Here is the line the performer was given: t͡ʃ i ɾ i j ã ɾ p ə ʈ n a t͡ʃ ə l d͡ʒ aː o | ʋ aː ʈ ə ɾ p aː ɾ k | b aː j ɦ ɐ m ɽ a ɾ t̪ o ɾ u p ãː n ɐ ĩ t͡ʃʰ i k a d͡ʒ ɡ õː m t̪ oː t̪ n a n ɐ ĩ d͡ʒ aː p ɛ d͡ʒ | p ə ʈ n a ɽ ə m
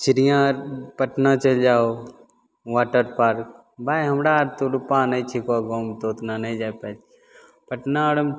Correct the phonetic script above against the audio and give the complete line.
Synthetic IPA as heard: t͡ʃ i ɾ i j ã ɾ p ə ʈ n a t͡ʃ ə l d͡ʒ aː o | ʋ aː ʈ ə ɾ p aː ɾ k | b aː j ɦ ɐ m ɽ a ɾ t̪ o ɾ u p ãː n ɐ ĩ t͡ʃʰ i k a ɡ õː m t̪ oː t̪ n a n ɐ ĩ d͡ʒ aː p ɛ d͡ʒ | p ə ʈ n a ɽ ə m